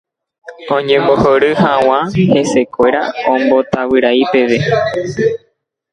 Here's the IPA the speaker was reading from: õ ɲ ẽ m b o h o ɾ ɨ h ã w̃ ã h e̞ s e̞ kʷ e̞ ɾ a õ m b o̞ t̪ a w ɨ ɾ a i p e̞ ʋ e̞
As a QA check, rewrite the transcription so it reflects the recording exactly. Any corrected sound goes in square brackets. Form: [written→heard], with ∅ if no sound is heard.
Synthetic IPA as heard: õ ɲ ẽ m b o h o ɾ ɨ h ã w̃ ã h e̞ s e̞ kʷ e̞ ɾ a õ m b o̞ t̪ a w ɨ ɾ a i p e̞ ʋ e̞